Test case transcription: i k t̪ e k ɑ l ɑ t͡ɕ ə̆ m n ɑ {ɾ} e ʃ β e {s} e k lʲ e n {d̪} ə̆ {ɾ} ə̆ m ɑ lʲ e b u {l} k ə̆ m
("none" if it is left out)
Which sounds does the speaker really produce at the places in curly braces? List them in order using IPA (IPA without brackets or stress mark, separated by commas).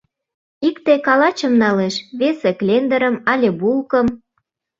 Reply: l, s, d̪, ɾ, l